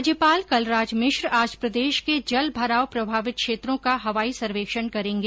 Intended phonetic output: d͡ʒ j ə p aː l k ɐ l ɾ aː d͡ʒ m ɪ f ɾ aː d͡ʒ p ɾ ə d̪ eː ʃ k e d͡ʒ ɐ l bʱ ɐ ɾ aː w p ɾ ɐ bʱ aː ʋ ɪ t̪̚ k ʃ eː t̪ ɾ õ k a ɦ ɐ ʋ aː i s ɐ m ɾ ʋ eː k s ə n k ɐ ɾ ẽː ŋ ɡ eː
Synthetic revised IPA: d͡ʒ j ə p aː l k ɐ l ɾ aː d͡ʒ m ɪ ʃ ɾ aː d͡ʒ p ɾ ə d̪ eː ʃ k e d͡ʒ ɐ l bʱ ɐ ɾ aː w p ɾ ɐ bʱ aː ʋ ɪ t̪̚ k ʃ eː t̪ ɾ õ k a ɦ ɐ ʋ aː i s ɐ ɾ ʋ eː k ʃ ə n k ɐ ɾ ẽː ŋ ɡ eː